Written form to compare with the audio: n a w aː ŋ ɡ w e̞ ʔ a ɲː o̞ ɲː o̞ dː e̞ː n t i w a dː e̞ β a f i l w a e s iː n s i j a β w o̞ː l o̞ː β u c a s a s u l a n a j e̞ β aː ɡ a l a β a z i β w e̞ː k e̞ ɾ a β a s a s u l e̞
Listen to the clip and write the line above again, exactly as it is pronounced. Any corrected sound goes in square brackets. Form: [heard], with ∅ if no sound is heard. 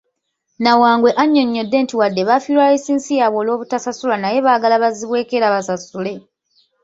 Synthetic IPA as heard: n a w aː ŋ ɡ w e̞ ʔ a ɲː o̞ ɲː o̞ dː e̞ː n t i w a dː e̞ β a f i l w a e s iː n s i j a β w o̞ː l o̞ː β u [t] a s a s u l a n a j e̞ β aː ɡ a l a β a z i β w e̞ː k e̞ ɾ a β a s a s u l e̞